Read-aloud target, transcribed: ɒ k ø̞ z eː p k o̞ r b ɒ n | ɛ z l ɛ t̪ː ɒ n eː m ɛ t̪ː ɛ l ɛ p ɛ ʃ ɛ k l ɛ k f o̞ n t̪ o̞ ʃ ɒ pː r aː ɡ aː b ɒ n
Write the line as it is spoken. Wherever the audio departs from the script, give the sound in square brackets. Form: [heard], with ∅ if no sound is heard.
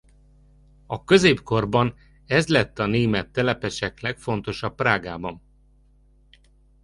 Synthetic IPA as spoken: ɒ k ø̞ z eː p k o̞ r b ɒ n | ɛ z l ɛ t̪ː ɒ n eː m ɛ t̪ː ɛ l ɛ p ɛ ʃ ɛ k l ɛ k f o̞ n t̪ o̞ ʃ ɒ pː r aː ɡ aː b ɒ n

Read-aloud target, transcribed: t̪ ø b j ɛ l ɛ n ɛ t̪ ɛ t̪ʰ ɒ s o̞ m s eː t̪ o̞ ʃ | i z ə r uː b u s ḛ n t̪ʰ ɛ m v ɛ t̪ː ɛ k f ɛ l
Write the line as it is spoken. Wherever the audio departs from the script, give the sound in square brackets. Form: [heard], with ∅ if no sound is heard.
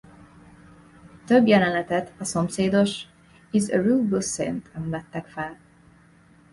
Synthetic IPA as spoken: t̪ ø b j ɛ l ɛ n ɛ t̪ ɛ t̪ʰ ɒ s o̞ m s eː [d̪] o̞ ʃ | i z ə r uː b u s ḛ n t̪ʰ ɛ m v ɛ t̪ː ɛ k f ɛ l

